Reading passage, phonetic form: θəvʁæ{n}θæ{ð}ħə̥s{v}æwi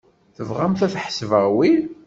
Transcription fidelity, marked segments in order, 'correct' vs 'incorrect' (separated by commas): incorrect, incorrect, correct